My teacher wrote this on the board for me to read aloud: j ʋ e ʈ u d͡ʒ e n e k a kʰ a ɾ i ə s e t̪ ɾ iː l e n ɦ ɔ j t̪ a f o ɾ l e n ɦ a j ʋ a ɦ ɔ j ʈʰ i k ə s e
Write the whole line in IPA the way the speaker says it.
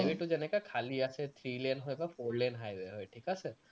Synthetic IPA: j ʋ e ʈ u d͡ʒ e n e k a kʰ a l i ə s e t̪ʰ ɾ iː l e n ɦ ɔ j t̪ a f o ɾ l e n ɦ a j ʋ e ɦ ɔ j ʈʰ i k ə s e